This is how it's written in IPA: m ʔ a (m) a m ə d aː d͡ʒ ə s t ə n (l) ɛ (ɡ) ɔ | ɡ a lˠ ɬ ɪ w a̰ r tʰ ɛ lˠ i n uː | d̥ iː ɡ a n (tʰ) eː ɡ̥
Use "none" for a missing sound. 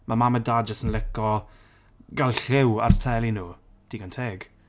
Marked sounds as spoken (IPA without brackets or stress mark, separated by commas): m, l, k, tʰ